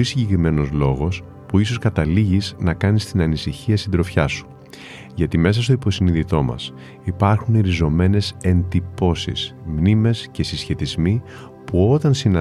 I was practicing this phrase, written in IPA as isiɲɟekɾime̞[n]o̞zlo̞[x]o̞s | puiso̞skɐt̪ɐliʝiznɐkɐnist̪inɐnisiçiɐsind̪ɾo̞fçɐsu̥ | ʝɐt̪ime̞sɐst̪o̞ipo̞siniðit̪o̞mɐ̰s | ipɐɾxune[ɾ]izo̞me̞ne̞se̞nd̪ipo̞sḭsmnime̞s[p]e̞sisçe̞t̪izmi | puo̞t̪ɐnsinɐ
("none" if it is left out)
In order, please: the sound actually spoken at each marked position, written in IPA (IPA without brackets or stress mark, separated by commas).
n, ɣ, ɾ, c